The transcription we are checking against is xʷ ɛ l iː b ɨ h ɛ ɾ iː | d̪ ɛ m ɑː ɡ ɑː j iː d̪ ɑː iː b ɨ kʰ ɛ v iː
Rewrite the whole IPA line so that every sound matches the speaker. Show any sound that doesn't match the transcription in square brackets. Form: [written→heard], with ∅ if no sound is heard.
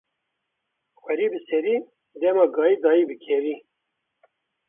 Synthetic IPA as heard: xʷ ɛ [l→ɾ] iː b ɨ [h→s] ɛ ɾ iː | d̪ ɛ m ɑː ɡ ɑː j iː d̪ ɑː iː b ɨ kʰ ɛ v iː

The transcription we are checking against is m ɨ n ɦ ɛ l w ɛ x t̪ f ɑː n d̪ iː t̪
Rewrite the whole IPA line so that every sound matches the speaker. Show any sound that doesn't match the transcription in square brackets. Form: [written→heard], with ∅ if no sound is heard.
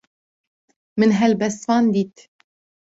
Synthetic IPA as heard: m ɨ n ɦ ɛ l [w→b] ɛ [x→s] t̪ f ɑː n d̪ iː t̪

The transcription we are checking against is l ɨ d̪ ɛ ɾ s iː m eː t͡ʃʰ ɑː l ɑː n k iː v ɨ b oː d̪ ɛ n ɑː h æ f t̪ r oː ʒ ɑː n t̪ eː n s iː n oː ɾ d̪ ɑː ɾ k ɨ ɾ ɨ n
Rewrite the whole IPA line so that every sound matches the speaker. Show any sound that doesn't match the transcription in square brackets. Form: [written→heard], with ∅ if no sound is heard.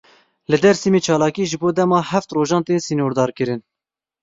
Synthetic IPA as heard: l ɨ d̪ ɛ ɾ s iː m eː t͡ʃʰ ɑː l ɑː [n→∅] k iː [v→ʒ] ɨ b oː d̪ ɛ [n→m] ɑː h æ f t̪ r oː ʒ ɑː n t̪ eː n s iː n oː ɾ d̪ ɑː ɾ k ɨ ɾ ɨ n

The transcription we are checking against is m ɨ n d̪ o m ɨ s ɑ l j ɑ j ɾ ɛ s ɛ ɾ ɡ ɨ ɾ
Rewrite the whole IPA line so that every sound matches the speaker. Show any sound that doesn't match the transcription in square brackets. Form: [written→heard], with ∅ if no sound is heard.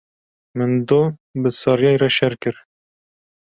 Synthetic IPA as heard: m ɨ n d̪ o [m→b] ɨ s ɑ [l→ɾ] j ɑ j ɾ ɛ [s→ʃ] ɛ ɾ [ɡ→k] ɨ ɾ

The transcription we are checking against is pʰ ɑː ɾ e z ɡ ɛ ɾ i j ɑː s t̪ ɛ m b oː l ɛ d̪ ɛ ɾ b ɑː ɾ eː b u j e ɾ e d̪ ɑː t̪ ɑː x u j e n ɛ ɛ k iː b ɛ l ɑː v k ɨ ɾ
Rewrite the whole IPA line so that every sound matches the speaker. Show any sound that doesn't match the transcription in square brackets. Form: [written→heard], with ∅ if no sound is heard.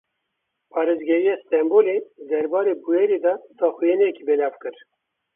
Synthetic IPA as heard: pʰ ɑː ɾ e z ɡ ɛ ɾ i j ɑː s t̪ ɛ m b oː l [ɛ→e] d̪ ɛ ɾ b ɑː ɾ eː b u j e ɾ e d̪ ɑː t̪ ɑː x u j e n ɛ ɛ k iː b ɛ l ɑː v k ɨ ɾ

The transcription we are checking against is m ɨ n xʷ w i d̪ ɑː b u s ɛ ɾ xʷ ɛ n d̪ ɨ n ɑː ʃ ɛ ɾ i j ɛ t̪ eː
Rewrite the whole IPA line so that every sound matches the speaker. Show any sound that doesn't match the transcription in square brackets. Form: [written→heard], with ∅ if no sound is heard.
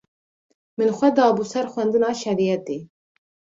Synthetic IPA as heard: m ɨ n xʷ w [i→ɛ] d̪ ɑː b u s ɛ ɾ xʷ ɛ n d̪ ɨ n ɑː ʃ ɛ ɾ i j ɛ t̪ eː

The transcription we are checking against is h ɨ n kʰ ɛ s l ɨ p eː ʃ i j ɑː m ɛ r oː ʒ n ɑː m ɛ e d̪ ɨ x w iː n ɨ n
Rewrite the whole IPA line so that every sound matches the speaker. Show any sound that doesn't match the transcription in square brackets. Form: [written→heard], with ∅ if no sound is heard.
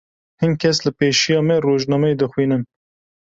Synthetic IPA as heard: h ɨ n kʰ ɛ s l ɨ p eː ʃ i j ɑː m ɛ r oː ʒ n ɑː m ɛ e d̪ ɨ x w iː n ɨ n

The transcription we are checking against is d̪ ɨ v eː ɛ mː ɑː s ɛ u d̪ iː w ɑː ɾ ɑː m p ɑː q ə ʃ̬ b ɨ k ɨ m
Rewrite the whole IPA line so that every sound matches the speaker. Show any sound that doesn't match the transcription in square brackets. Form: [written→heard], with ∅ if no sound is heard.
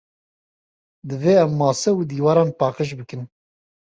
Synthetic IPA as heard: d̪ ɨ v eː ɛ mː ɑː s ɛ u d̪ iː w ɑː ɾ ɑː [m→n] p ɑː q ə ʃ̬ b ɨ k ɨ [m→n]

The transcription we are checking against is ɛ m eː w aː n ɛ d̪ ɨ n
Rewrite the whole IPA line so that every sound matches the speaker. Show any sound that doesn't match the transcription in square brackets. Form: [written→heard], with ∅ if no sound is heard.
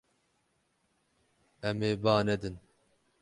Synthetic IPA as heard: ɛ m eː [w→b] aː n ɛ d̪ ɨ n

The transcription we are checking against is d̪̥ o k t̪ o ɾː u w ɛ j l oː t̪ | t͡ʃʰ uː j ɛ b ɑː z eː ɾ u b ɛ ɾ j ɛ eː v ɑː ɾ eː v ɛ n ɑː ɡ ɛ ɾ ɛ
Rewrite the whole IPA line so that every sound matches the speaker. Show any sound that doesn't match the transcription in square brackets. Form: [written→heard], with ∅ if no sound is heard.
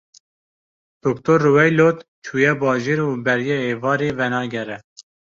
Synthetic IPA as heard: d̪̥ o k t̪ o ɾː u w ɛ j l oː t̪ | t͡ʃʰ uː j ɛ b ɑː [z→ʒ] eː ɾ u b ɛ ɾ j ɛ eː v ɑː ɾ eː v ɛ n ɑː ɡ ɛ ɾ ɛ

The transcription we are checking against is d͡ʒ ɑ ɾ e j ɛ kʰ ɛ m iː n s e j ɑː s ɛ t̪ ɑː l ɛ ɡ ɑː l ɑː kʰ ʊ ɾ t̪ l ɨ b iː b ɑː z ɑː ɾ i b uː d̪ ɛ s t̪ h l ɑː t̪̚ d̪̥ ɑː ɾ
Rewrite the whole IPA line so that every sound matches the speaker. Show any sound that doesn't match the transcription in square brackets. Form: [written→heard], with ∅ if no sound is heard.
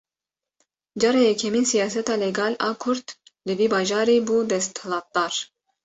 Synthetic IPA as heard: d͡ʒ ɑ ɾ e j ɛ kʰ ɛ m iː n s [e→i] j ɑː s ɛ t̪ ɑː l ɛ ɡ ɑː l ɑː kʰ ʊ ɾ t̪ l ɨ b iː b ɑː [z→ʒ] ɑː ɾ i b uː d̪ ɛ s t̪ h l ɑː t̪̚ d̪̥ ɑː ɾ

